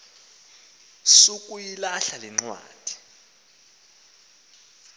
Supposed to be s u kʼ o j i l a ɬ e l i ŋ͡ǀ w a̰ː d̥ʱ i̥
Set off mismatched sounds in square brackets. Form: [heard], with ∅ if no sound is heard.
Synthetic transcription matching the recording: s u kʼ [u] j i l a ɬ [a] l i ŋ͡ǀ w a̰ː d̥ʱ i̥